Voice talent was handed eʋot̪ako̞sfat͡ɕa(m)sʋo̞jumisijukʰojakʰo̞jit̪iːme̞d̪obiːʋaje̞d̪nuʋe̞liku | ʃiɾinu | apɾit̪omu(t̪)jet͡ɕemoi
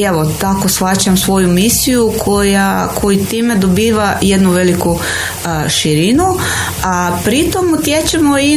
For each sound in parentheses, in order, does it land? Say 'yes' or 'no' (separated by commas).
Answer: yes, yes